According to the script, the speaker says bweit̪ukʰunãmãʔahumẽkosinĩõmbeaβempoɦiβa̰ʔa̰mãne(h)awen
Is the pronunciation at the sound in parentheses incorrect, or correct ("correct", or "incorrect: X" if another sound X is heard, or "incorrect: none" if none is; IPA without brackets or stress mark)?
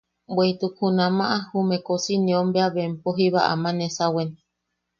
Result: incorrect: s